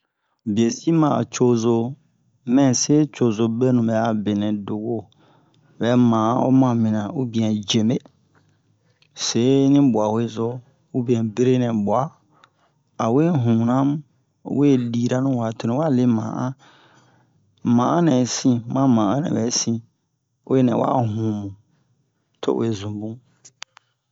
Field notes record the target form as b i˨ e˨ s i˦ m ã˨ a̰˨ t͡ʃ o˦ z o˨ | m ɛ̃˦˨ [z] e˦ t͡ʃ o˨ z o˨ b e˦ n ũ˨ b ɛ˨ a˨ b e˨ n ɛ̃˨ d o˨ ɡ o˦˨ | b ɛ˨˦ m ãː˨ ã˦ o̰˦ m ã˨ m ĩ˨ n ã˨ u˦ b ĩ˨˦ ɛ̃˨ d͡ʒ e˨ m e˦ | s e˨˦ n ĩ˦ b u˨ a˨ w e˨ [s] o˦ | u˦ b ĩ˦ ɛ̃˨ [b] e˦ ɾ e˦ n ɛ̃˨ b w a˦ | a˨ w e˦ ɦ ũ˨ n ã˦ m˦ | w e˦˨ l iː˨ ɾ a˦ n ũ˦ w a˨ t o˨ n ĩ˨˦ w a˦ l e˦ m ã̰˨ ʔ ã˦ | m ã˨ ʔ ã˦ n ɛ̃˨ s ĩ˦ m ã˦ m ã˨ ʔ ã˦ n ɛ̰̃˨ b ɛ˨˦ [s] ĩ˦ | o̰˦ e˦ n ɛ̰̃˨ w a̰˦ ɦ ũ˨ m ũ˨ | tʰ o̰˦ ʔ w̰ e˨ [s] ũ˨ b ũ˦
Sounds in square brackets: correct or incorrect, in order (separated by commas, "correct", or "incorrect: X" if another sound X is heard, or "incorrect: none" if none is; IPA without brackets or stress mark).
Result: incorrect: s, incorrect: z, correct, correct, incorrect: z